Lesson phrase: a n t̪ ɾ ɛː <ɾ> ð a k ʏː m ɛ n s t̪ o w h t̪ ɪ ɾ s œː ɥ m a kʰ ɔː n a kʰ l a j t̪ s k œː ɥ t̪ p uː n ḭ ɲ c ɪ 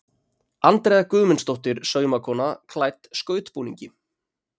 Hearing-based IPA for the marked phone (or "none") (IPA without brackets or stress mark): none